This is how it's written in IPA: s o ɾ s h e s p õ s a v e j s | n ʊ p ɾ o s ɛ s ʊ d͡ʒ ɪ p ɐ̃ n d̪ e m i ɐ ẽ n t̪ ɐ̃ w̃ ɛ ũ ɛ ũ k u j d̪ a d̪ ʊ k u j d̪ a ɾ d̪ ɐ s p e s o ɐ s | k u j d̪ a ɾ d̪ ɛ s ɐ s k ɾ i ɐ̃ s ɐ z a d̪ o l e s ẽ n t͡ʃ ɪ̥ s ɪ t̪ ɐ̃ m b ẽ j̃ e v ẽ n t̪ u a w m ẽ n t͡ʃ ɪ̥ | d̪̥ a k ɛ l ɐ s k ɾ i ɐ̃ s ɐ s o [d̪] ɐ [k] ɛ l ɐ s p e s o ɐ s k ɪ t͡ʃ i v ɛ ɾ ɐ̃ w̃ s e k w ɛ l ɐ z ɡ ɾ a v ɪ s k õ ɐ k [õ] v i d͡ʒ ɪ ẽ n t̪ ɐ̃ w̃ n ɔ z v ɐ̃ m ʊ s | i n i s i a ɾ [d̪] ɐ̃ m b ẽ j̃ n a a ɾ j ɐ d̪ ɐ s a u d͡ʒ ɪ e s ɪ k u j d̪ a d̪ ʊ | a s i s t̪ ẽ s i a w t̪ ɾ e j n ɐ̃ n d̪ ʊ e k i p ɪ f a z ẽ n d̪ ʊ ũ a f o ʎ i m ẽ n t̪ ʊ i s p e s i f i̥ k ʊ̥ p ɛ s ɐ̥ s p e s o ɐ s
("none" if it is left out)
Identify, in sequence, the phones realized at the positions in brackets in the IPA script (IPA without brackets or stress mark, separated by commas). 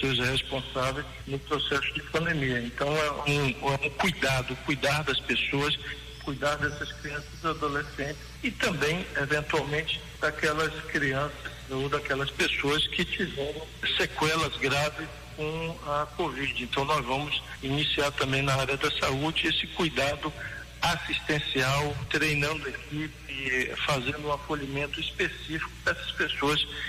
d̪, k, o, t̪